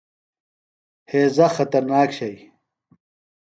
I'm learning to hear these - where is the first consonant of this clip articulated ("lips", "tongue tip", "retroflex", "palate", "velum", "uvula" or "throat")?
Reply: throat